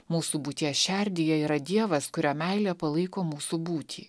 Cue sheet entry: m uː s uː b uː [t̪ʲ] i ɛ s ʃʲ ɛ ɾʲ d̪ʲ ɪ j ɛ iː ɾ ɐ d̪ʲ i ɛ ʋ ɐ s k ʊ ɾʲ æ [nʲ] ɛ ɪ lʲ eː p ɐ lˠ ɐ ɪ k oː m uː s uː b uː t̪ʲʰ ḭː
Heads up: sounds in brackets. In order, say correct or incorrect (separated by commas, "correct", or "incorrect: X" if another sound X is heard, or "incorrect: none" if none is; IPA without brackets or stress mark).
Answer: correct, incorrect: mʲ